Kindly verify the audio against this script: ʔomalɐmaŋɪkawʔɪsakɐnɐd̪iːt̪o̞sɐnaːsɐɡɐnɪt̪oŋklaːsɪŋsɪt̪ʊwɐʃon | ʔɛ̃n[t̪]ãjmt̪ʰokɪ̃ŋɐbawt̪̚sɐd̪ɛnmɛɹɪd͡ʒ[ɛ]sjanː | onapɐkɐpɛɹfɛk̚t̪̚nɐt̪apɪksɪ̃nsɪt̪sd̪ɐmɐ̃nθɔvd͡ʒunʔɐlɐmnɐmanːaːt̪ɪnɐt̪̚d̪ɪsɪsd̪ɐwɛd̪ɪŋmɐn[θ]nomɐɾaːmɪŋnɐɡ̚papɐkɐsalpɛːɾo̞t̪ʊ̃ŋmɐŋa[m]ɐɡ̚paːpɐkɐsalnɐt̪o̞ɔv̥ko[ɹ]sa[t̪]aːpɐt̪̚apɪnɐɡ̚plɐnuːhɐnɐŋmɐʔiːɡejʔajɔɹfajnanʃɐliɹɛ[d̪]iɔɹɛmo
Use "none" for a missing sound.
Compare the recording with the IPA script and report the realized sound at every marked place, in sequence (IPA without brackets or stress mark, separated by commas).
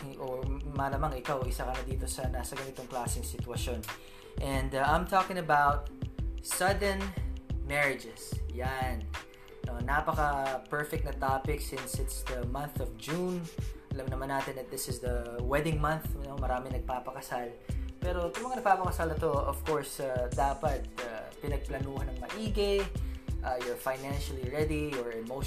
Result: d̪, ɛ, θ, n, ɹ, d̪, d̪